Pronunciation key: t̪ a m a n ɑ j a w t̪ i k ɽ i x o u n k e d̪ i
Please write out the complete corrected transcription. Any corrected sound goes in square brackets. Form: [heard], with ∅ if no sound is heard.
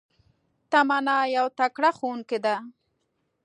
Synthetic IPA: t̪ a m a n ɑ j a w t̪ [a] k ɽ [a] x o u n k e d̪ [a]